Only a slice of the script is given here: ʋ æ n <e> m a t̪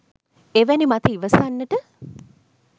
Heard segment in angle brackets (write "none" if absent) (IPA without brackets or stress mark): i